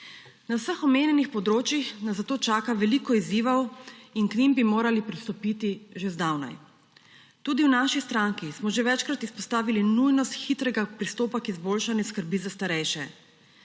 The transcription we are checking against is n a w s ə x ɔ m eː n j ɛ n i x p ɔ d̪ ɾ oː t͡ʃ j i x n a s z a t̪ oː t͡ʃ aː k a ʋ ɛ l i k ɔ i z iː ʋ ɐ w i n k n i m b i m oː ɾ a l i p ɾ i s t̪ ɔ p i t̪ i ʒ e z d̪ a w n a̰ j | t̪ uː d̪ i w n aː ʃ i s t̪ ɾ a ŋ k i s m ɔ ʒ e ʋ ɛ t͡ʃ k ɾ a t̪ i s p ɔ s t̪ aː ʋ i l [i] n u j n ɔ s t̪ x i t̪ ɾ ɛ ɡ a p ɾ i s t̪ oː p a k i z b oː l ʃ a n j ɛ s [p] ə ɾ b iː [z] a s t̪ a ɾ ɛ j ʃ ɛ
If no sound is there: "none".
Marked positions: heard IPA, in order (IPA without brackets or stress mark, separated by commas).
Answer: i, k, z